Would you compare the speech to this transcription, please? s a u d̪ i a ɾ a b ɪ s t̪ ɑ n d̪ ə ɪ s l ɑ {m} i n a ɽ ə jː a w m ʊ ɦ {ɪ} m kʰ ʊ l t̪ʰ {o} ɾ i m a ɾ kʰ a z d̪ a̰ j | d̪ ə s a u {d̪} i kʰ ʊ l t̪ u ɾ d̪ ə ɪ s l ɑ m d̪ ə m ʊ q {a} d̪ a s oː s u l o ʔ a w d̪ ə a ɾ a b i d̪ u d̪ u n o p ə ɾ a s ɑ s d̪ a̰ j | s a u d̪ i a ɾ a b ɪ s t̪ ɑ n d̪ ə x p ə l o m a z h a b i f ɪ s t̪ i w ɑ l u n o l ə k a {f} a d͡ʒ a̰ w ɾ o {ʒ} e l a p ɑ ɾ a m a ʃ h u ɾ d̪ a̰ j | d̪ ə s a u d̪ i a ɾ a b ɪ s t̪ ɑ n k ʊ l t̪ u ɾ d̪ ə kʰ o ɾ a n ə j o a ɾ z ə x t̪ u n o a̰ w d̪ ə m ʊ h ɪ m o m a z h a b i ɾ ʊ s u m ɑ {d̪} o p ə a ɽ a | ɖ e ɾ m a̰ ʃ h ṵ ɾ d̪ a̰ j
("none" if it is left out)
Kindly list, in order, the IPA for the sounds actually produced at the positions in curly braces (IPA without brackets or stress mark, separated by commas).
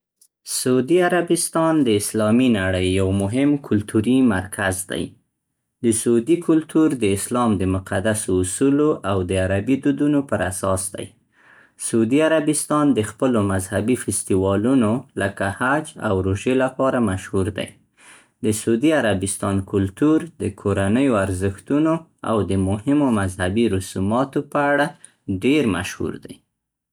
m, ɪ, u, d̪, a, h, ʒ, t̪